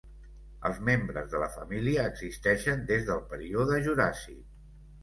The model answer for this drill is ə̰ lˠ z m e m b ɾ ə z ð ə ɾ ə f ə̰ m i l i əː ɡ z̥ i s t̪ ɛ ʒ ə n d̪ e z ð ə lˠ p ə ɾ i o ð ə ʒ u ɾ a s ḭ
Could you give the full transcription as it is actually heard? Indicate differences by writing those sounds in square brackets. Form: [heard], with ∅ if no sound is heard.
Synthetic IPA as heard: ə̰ lˠ z m e m b ɾ ə z ð ə [l] ə f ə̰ m i l i əː ɡ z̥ i s t̪ ɛ [ʃ] ə n d̪ e z ð ə lˠ p ə ɾ i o ð ə ʒ u ɾ a s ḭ

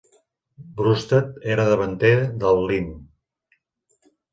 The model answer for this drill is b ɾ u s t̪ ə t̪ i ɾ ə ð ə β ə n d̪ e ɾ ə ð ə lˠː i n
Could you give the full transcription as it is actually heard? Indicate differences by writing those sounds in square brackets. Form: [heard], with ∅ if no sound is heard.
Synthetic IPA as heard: b ɾ u s t̪ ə t̪ [e] ɾ ə ð ə β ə n [t̪] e ɾ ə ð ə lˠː i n

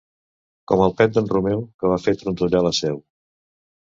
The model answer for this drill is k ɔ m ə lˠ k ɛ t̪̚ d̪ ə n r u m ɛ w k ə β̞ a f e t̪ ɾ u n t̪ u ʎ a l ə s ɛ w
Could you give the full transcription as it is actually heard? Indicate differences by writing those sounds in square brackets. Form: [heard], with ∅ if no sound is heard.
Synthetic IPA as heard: k ɔ m ə lˠ [p] ɛ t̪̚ d̪ ə n r u m ɛ w k ə β̞ a f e t̪ ɾ u n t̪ u ʎ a l ə s ɛ w

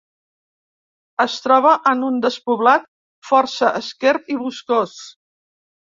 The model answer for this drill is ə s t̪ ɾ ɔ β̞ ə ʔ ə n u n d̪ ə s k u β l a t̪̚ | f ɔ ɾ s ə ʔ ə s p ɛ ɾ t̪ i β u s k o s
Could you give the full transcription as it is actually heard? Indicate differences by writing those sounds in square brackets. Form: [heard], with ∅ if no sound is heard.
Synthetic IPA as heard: ə s t̪ ɾ ɔ β̞ ə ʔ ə n u n d̪ ə s [p] u β l a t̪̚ | f ɔ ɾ s ə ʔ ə s [k] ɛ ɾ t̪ i β u s k o s

